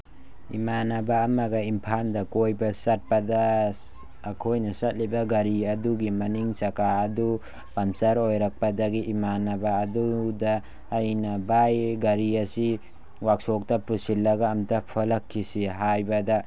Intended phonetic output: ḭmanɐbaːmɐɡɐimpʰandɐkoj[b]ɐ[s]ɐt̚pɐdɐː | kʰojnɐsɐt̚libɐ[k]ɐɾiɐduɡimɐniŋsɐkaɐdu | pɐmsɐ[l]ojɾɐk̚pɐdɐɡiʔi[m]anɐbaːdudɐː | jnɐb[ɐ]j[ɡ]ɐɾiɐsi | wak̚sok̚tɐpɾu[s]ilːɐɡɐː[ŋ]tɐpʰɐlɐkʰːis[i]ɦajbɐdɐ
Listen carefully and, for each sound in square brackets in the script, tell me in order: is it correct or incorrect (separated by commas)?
correct, correct, incorrect, incorrect, correct, incorrect, correct, correct, incorrect, correct